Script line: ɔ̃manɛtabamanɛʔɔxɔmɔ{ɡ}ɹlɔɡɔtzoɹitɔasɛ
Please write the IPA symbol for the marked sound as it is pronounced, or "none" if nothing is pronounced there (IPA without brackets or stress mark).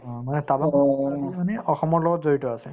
none